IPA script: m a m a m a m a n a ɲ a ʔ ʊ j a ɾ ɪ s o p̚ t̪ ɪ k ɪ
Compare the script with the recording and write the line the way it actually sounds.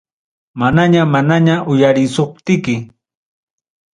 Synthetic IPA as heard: m a n a ɲ a m a n a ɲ a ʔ ʊ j a ɾ ɪ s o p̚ t̪ ɪ k ɪ